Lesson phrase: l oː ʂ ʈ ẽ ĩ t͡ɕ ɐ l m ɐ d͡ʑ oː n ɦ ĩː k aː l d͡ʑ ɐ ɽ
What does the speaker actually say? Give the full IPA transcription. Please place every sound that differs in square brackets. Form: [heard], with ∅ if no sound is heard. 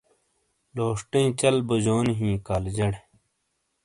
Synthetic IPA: l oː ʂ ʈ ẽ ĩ t͡ɕ ɐ l [b] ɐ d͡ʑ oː n ɦ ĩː k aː l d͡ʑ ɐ ɽ